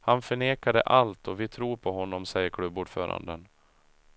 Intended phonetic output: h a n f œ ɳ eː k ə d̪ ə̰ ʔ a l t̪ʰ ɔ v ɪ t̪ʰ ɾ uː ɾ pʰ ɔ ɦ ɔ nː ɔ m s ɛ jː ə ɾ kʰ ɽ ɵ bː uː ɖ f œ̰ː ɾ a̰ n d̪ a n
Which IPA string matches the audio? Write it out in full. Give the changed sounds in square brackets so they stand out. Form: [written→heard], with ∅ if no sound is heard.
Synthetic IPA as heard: h a n f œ ɳ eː k [ə→a] d̪ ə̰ ʔ a l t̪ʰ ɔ v ɪ t̪ʰ ɾ uː ɾ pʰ ɔ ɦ ɔ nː ɔ m s ɛ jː ə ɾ kʰ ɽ ɵ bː uː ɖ f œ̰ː ɾ a̰ n d̪ [a→ə] n